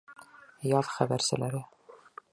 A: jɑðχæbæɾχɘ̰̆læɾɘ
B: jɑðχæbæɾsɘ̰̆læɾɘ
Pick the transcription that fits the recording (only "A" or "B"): B